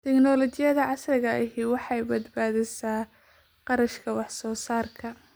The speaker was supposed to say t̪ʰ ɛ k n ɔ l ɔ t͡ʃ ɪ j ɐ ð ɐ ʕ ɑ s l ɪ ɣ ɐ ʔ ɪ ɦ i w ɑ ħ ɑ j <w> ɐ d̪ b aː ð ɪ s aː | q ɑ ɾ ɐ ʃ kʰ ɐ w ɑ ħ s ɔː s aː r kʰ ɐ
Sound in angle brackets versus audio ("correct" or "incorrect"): incorrect